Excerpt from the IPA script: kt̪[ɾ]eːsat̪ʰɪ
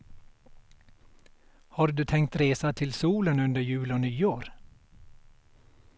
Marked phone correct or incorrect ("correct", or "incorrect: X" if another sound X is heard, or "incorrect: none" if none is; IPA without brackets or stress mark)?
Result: correct